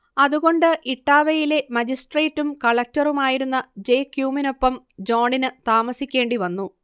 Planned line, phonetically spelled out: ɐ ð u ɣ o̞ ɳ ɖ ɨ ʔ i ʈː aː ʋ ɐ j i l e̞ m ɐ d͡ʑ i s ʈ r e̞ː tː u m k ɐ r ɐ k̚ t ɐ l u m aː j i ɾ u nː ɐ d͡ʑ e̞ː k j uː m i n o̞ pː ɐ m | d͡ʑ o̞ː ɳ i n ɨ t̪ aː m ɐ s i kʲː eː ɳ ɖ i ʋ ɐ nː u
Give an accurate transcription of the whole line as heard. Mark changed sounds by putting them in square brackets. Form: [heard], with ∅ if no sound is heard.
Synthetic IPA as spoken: ɐ ð u ɣ o̞ ɳ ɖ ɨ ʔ i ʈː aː ʋ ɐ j i l e̞ m ɐ d͡ʑ i s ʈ r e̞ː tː u m k ɐ [ɭ] ɐ k̚ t ɐ [r] u m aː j i ɾ u nː ɐ d͡ʑ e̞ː k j uː m i n o̞ pː ɐ m | d͡ʑ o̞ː ɳ i n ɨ t̪ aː m ɐ s i kʲː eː ɳ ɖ i ʋ ɐ nː u

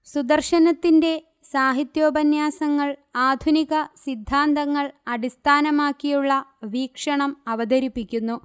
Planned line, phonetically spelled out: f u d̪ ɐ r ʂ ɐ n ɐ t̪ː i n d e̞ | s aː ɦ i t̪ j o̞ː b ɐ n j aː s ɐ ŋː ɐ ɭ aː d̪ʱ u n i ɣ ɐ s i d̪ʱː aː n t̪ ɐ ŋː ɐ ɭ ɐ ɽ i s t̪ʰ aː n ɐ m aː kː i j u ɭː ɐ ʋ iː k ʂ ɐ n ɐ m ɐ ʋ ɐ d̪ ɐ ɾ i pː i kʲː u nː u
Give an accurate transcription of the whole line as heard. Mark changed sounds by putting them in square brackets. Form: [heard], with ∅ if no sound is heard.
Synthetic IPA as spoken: [s] u d̪ ɐ r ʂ ɐ n ɐ t̪ː i n d e̞ | s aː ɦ i t̪ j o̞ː b ɐ n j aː s ɐ ŋː ɐ ɭ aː d̪ʱ u n i ɣ ɐ s i d̪ʱː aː n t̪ ɐ ŋː ɐ ɭ ɐ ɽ i s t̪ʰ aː n ɐ m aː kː i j u ɭː ɐ ʋ iː k ʂ ɐ [ɳ] ɐ m ɐ ʋ ɐ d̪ ɐ ɾ i pː i kʲː u nː u

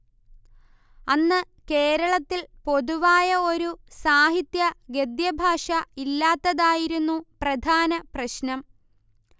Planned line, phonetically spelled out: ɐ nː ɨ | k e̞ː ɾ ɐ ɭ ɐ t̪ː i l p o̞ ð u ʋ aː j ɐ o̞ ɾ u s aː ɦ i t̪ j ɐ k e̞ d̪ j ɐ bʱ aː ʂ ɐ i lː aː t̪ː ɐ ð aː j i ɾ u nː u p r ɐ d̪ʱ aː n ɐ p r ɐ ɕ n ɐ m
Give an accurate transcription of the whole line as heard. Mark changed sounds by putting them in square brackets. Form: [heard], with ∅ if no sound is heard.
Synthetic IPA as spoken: ɐ nː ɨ | k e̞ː ɾ ɐ ɭ ɐ t̪ː i l p o̞ ð u ʋ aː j ɐ o̞ ɾ u s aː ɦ i t̪ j ɐ [ɡ] e̞ d̪ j ɐ bʱ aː ʂ ɐ i lː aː t̪ː ɐ ð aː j i ɾ u nː u p r ɐ d̪ʱ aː n ɐ p r ɐ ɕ n ɐ m

